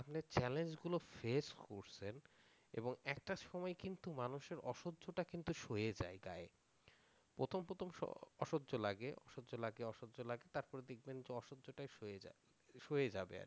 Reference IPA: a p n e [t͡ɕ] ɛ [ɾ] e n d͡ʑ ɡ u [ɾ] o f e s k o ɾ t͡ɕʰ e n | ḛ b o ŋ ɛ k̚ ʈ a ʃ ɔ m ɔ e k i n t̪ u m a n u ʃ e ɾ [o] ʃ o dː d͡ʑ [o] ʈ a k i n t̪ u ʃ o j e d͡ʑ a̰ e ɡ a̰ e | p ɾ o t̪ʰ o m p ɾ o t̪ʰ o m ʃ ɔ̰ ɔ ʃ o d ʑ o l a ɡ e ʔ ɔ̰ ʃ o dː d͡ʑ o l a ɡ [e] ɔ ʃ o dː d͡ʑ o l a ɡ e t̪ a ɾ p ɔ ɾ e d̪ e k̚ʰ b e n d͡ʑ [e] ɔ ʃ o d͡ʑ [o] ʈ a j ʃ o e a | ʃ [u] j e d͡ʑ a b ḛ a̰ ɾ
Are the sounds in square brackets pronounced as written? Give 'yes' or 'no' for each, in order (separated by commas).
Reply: yes, no, no, no, yes, yes, yes, yes, no